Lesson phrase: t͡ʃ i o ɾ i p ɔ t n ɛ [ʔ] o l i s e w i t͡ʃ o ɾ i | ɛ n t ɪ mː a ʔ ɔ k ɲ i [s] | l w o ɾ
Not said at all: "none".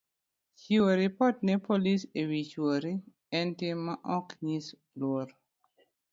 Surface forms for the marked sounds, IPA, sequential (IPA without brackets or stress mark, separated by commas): p, s